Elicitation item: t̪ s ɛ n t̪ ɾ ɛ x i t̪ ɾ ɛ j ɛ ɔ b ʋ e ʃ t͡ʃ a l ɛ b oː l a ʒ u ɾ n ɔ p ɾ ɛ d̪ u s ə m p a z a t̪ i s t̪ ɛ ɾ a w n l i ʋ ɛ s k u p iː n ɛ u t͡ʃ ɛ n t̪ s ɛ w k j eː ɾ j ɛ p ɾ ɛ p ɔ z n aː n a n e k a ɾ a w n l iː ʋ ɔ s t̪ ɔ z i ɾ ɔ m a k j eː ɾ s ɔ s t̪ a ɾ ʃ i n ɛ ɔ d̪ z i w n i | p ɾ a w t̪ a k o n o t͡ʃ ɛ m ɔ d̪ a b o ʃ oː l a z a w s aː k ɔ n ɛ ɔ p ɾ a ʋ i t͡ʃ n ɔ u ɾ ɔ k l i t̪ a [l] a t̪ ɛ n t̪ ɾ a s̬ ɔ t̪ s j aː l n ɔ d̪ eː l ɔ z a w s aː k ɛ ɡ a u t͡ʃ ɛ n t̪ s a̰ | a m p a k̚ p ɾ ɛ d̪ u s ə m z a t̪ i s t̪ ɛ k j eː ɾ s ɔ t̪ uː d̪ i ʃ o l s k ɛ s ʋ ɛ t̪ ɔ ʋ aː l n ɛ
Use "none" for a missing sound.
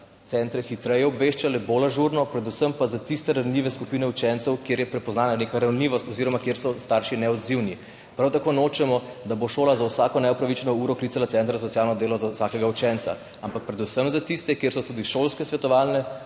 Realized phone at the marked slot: l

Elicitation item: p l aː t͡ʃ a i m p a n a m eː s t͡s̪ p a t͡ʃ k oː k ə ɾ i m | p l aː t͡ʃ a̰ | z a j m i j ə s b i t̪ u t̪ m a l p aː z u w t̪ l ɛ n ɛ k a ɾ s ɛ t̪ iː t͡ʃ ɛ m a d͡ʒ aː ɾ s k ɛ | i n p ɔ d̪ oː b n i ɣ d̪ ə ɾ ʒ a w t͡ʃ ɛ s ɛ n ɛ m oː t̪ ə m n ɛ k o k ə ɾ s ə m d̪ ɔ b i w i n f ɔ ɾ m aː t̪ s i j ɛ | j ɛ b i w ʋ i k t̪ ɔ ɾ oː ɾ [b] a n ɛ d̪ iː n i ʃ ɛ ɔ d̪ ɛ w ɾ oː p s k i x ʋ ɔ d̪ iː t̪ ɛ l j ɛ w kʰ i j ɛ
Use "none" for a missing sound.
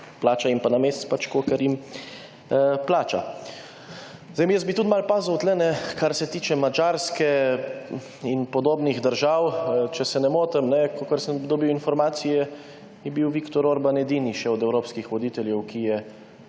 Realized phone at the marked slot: b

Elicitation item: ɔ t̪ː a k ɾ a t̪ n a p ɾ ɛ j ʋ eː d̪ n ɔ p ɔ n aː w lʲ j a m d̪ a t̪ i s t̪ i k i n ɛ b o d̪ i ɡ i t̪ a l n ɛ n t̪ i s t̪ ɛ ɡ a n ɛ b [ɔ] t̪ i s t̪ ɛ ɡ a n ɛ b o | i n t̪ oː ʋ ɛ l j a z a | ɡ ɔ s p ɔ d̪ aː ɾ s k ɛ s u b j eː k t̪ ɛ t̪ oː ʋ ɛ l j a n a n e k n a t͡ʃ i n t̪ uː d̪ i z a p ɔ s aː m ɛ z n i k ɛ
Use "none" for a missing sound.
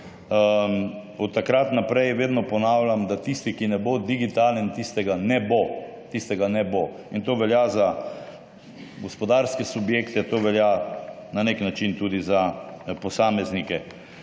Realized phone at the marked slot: o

